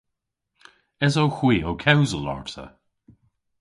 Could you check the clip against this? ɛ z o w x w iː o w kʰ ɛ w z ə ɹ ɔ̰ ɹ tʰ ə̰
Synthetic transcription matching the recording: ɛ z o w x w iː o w kʰ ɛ w z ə l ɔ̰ ɹ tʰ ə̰